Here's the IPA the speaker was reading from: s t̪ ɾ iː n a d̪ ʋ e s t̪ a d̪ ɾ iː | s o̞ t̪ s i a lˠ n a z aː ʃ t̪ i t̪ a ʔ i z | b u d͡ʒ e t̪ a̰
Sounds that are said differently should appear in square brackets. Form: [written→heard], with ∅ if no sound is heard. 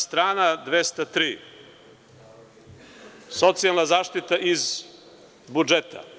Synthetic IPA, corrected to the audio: s t̪ ɾ [iː→aː] n a d̪ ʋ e s t̪ a [d̪→t̪] ɾ iː | s o̞ t̪ s i a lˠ n a z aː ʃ t̪ i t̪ a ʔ i z | b u d͡ʒ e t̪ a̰